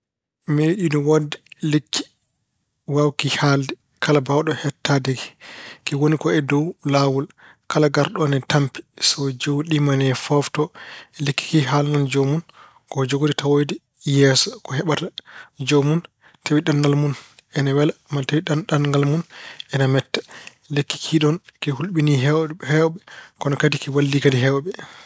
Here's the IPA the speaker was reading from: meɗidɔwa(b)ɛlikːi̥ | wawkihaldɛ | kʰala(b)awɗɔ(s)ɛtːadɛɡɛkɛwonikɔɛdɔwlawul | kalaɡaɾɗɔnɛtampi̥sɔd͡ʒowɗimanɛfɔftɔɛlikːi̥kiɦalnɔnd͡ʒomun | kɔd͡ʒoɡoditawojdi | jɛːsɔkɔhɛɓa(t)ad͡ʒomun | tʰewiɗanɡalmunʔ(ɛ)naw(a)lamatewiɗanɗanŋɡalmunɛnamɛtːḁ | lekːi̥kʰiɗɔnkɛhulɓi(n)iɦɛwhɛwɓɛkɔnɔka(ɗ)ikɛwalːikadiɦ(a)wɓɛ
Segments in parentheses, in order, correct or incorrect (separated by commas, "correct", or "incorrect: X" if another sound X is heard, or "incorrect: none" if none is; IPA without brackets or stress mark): incorrect: d, correct, incorrect: h, correct, correct, incorrect: ɛ, correct, incorrect: d, incorrect: ɛ